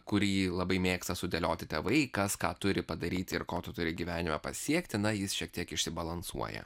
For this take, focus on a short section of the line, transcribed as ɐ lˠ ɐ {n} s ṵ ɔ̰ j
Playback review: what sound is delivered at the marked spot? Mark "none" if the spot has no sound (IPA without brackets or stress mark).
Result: n